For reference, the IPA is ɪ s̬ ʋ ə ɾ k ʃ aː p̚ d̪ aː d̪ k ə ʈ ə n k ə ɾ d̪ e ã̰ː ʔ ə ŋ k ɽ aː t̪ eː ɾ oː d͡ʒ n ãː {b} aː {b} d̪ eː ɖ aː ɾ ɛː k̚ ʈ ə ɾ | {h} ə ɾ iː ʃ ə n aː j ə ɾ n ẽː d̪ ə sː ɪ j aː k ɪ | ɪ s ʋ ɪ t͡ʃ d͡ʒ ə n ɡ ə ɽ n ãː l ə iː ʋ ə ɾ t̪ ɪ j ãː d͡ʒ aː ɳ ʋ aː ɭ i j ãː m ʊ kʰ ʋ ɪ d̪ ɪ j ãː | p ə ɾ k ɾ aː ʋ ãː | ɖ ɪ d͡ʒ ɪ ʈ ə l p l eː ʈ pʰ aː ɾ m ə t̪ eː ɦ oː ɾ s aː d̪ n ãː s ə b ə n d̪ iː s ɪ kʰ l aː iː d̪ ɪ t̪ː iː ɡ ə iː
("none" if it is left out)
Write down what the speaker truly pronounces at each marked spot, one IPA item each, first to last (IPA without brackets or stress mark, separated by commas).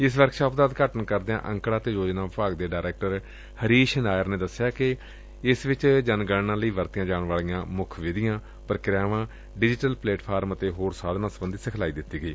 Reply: p, ɡ, h